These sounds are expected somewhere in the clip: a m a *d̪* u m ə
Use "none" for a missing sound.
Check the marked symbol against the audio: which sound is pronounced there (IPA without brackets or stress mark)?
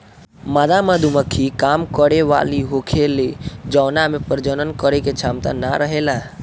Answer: d̪